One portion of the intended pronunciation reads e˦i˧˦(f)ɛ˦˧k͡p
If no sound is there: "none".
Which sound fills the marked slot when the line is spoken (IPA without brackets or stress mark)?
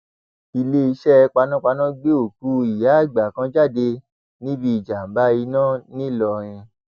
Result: ʃ